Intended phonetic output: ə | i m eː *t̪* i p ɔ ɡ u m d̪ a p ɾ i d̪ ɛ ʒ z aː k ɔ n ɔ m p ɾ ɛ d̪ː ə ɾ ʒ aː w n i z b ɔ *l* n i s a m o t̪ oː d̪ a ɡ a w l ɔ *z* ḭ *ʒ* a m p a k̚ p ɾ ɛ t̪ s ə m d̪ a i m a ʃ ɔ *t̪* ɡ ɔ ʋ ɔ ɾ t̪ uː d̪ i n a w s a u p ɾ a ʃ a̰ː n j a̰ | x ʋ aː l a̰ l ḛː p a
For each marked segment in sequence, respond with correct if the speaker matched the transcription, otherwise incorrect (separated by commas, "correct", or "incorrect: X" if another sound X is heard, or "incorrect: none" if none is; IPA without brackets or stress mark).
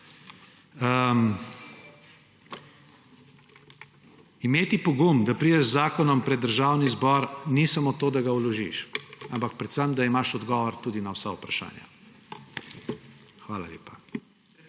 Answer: correct, incorrect: ɾ, incorrect: ʒ, incorrect: ʃ, incorrect: d̪